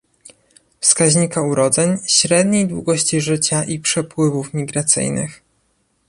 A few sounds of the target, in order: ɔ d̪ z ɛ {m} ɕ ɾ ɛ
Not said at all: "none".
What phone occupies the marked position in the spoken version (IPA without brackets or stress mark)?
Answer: ɲ